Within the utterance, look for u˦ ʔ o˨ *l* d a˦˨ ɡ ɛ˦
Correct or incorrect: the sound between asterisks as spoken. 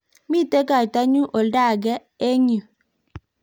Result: correct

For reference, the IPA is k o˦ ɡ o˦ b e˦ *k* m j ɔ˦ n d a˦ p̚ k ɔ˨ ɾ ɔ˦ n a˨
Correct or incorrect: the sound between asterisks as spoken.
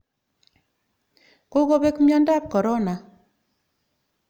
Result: correct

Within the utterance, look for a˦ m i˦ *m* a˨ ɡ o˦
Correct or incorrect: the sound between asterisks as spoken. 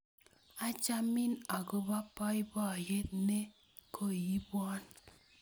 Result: incorrect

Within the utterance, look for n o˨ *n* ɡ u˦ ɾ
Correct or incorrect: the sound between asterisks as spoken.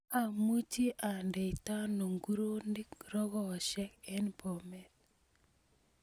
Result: incorrect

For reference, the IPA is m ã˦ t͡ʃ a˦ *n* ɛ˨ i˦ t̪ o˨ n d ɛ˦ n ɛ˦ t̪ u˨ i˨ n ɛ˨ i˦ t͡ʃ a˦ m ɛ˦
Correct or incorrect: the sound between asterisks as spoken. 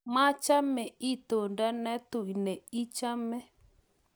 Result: incorrect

